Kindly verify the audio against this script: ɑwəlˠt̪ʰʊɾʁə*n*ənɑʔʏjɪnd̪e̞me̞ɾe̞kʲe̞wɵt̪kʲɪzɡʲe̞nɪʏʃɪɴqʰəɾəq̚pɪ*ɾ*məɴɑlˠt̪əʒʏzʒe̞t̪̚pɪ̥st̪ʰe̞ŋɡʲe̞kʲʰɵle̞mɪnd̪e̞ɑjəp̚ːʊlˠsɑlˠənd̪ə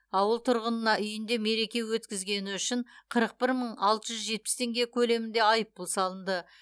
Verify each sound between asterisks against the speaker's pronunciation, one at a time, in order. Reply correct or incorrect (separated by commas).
correct, correct